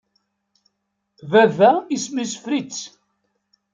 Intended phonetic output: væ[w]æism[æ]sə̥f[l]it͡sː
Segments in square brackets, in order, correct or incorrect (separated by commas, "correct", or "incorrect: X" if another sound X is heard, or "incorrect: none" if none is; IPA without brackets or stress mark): incorrect: v, incorrect: i, incorrect: ɾ